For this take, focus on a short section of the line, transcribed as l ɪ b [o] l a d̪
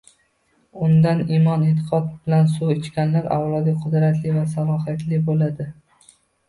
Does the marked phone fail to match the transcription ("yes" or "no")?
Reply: no